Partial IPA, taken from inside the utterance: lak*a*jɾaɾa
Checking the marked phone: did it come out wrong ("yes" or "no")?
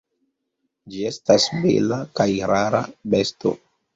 no